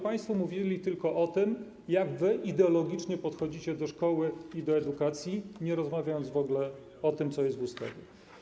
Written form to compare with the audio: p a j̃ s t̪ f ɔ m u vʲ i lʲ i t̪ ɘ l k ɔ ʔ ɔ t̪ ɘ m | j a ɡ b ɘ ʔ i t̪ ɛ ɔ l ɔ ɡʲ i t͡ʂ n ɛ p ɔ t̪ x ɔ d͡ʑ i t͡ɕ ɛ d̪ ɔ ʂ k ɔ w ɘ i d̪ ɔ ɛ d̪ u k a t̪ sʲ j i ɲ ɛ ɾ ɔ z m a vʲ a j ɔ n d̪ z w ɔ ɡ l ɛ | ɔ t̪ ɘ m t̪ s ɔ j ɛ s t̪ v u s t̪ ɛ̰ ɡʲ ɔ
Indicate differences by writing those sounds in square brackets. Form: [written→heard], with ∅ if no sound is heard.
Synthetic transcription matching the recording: p a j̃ s t̪ f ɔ m u vʲ i lʲ i t̪ ɘ l k ɔ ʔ ɔ t̪ ɘ m | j a ɡ [b→v] ɘ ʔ i [t̪→d̪] ɛ ɔ l ɔ ɡʲ i t͡ʂ [n→ɲ] ɛ p ɔ t̪ x ɔ d͡ʑ i t͡ɕ ɛ d̪ ɔ ʂ k ɔ w ɘ i d̪ ɔ ɛ d̪ u k a t̪ sʲ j i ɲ ɛ ɾ ɔ z m a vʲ a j ɔ n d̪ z [w→v] ɔ ɡ l ɛ | ɔ t̪ ɘ m t̪ s ɔ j ɛ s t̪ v u s t̪ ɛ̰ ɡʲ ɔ

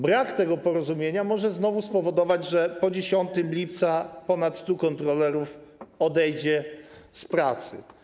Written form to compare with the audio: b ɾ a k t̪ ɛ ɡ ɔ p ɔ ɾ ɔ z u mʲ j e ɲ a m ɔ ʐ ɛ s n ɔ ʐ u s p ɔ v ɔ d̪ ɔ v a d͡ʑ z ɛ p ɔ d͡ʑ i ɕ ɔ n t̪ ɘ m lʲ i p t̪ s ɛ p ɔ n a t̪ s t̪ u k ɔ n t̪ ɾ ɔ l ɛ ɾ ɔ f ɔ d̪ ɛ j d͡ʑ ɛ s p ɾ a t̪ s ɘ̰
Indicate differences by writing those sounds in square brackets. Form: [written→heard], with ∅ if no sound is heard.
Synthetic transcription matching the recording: b ɾ a k t̪ ɛ ɡ ɔ p ɔ ɾ ɔ z u mʲ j e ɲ a m ɔ ʐ ɛ [s→z] n ɔ [ʐ→v] u s p ɔ v ɔ d̪ ɔ v a d͡ʑ [z→ʐ] ɛ p ɔ d͡ʑ [i→e] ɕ ɔ n t̪ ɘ m lʲ i p t̪ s [ɛ→a] p ɔ n a t̪ s t̪ u k ɔ n t̪ ɾ ɔ l ɛ ɾ [ɔ→u] f ɔ d̪ ɛ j d͡ʑ ɛ s p ɾ a t̪ s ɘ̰

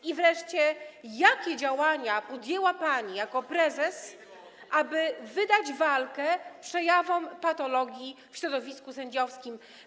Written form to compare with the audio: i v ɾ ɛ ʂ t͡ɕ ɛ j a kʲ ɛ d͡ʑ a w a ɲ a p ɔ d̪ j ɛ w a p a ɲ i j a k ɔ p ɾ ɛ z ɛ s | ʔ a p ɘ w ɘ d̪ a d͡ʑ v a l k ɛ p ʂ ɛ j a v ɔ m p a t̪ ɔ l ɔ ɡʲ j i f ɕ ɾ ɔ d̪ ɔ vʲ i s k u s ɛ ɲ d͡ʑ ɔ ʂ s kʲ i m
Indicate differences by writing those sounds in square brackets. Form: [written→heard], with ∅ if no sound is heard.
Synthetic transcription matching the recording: i v ɾ ɛ ʂ t͡ɕ ɛ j a kʲ ɛ d͡ʑ a w a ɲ a p ɔ d̪ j ɛ w a p a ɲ i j a k ɔ p ɾ ɛ z ɛ s | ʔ a [p→b] ɘ [w→v] ɘ d̪ a d͡ʑ v a l k ɛ p ʂ ɛ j a v ɔ m p a t̪ ɔ l ɔ ɡʲ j i f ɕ ɾ ɔ d̪ ɔ vʲ i s k u s ɛ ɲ d͡ʑ ɔ [ʂ→f] s kʲ i m

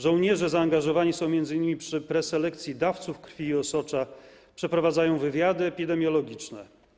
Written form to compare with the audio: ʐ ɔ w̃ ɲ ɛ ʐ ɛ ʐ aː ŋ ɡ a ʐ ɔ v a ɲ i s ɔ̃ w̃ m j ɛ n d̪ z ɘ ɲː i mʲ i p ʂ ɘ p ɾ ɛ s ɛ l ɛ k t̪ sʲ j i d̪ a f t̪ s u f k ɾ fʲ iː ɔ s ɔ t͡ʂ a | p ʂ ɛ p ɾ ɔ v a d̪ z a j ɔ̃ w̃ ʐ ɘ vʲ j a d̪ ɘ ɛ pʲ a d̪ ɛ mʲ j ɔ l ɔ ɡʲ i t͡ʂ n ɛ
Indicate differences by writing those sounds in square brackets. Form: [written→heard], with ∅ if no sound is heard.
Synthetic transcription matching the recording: ʐ ɔ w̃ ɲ ɛ ʐ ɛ [ʐ→z] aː ŋ ɡ a ʐ ɔ v a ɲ i s ɔ̃ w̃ m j ɛ n d̪ z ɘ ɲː i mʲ i p ʂ ɘ p ɾ ɛ s ɛ l ɛ k t̪ sʲ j i d̪ a f t̪ s u f k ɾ fʲ iː ɔ s ɔ t͡ʂ a | p ʂ ɛ p ɾ ɔ v a d̪ z a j ɔ̃ w̃ [ʐ→v] ɘ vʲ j a d̪ ɘ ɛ pʲ [a→i] d̪ ɛ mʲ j ɔ l ɔ ɡʲ i t͡ʂ n ɛ

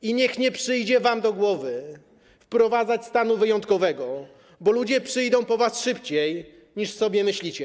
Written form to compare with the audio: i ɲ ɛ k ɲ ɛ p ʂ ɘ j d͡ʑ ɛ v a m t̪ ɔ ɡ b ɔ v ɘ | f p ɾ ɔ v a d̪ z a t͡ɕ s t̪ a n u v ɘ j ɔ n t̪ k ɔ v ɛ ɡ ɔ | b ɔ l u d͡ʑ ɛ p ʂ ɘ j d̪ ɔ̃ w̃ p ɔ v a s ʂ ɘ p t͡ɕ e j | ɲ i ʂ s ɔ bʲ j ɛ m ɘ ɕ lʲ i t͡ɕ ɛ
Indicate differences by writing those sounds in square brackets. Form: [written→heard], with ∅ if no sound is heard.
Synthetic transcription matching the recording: i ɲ ɛ [k→x] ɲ ɛ p ʂ ɘ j d͡ʑ ɛ v a m [t̪→d̪] ɔ ɡ [b→w] ɔ v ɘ | f p ɾ ɔ v a d̪ z a t͡ɕ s t̪ a n u v ɘ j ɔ n t̪ k ɔ v ɛ ɡ ɔ | b ɔ l u d͡ʑ ɛ p ʂ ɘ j d̪ ɔ̃ w̃ p ɔ v a s ʂ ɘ p t͡ɕ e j | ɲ i ʂ s ɔ bʲ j ɛ m ɘ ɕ lʲ i t͡ɕ ɛ

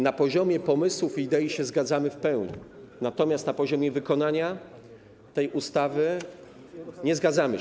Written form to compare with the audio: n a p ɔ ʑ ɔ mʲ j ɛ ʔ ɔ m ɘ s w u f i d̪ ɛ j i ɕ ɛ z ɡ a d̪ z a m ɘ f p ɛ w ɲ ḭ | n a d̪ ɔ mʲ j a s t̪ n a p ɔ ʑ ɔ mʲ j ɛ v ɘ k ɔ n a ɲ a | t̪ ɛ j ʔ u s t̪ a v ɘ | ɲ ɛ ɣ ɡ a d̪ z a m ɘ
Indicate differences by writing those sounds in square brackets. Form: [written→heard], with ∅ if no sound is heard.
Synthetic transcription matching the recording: n a p ɔ ʑ ɔ mʲ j ɛ [ʔ→p] ɔ m ɘ s w u f i d̪ ɛ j i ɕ ɛ z ɡ a d̪ z a m ɘ f p ɛ w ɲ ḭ | n a [d̪→t̪] ɔ mʲ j a s t̪ n a p ɔ ʑ ɔ mʲ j ɛ v ɘ k ɔ n a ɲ a | t̪ ɛ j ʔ u s t̪ a v ɘ | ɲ ɛ [ɣ→z] ɡ a d̪ z a m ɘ

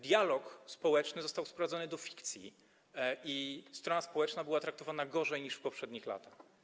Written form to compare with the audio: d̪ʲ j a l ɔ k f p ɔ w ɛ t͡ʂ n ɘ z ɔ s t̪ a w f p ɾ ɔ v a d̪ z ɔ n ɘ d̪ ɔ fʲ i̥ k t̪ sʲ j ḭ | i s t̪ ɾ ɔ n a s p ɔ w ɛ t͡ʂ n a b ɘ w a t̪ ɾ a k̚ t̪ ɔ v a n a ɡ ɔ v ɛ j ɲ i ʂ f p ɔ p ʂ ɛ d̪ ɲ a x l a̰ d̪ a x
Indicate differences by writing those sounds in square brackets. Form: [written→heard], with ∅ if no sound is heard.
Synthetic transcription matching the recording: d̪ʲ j a l ɔ k [f→s] p ɔ w ɛ t͡ʂ n ɘ z ɔ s t̪ a w [f→s] p ɾ ɔ v a d̪ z ɔ n ɘ d̪ ɔ fʲ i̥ k t̪ sʲ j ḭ | i s t̪ ɾ ɔ n a s p ɔ w ɛ t͡ʂ n a b ɘ w a t̪ ɾ a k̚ t̪ ɔ v a n a ɡ ɔ [v→ʐ] ɛ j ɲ i ʂ f p ɔ p ʂ ɛ d̪ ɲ [a→i] x l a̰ [d̪→t̪] a x

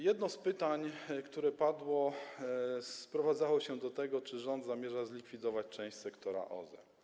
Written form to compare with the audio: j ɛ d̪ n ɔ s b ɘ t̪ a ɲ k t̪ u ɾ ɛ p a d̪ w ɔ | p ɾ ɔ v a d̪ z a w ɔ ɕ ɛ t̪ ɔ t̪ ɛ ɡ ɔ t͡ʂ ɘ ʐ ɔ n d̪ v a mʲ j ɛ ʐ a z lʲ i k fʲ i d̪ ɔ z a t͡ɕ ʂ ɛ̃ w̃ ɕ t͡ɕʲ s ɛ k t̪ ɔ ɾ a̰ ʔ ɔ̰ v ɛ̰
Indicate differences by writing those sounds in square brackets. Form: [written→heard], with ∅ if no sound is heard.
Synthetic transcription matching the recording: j ɛ d̪ n ɔ s [b→p] ɘ t̪ a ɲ k t̪ u ɾ ɛ p a d̪ w ɔ | p ɾ ɔ v a d̪ z a w ɔ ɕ ɛ [t̪→d̪] ɔ t̪ ɛ ɡ ɔ t͡ʂ ɘ ʐ ɔ n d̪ [v→z] a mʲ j ɛ ʐ a z lʲ i k fʲ i d̪ ɔ [z→v] a t͡ɕ [ʂ→t͡ʂ] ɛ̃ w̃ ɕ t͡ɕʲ s ɛ k t̪ ɔ ɾ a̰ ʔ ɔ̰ [v→z] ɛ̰

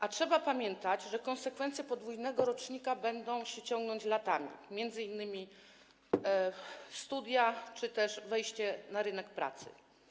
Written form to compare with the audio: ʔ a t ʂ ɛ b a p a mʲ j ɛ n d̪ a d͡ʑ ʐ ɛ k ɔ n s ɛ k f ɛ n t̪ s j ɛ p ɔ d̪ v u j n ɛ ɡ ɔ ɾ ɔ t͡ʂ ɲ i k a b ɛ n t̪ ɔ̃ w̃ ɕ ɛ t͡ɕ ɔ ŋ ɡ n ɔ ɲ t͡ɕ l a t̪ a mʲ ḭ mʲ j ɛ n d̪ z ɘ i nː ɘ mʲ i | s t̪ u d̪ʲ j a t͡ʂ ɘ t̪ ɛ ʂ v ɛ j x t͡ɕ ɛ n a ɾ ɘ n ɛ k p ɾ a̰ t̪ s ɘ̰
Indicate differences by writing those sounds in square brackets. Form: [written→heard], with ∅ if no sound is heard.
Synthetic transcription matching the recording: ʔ a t ʂ ɛ b a p a mʲ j ɛ n [d̪→t̪] a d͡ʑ ʐ ɛ k ɔ n s ɛ k f ɛ n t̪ s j ɛ p ɔ d̪ v u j n ɛ ɡ ɔ ɾ ɔ t͡ʂ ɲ i k a b ɛ n [t̪→d̪] ɔ̃ w̃ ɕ ɛ t͡ɕ ɔ ŋ ɡ n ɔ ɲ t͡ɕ l a t̪ a mʲ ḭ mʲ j ɛ n d̪ z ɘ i nː ɘ mʲ i | s t̪ u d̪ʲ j a t͡ʂ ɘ t̪ ɛ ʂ v ɛ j [x→ɕ] t͡ɕ ɛ n a ɾ ɘ n ɛ k p ɾ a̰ t̪ s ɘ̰

